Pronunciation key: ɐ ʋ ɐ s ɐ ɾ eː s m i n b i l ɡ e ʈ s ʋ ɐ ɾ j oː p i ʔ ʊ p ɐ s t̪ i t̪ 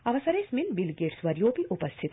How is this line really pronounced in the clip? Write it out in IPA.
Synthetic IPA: ɐ ʋ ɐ s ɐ ɾ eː s m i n b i l ɡ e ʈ s ʋ ɐ ɾ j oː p i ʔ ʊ p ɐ s t̪ʰ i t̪